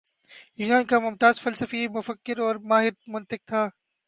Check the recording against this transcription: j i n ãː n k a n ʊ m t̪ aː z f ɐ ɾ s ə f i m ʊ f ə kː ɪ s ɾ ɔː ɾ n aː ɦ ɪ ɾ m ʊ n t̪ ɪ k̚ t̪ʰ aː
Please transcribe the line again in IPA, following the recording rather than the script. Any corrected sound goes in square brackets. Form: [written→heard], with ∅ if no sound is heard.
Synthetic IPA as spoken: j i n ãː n k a [n→m] ʊ m t̪ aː z f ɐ [ɾ→l] s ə f i m ʊ f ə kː ɪ [s→∅] ɾ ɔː ɾ [n→m] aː ɦ ɪ ɾ m ʊ n t̪ ɪ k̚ t̪ʰ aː